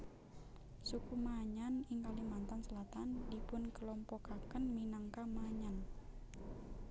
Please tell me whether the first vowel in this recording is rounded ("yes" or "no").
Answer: yes